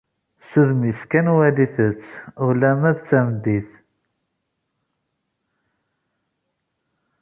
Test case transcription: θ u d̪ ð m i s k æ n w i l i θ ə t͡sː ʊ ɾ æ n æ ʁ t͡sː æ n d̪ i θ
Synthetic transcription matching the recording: s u ð m i s k æ n w æ l i θ ə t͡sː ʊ l æ m æ ð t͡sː æ m d̪ i θ

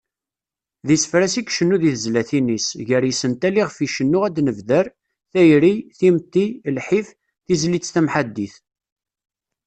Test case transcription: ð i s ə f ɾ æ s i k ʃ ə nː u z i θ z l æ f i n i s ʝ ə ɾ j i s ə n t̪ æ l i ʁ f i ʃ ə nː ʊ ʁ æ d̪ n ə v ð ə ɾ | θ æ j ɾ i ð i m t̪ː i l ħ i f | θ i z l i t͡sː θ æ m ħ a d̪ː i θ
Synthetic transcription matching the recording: ð i s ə f ɾ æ s i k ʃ ə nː u ð i θ z l æ θ i n i s ʝ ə ɾ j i s ə n t̪ æ l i ʁ f i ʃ ə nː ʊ ʁ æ d̪ n ə v ð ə ɾ | θ æ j ɾ i θ i m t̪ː i l ħ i f | θ i z l i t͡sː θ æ m ħ a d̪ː i θ

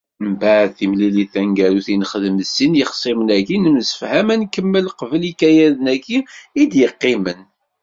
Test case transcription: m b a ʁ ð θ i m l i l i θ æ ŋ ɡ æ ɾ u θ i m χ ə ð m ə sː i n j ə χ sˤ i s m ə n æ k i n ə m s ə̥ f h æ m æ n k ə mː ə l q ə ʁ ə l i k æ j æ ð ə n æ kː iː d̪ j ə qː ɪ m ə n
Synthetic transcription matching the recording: m b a ʕ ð θ i m l i l i θ æ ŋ ɡ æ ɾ u θ i n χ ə ð m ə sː i n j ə χ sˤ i m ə n æ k i n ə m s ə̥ f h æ m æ n k ə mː ə l q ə v ə l i k æ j æ ð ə n æ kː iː d̪ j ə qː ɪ m ə n

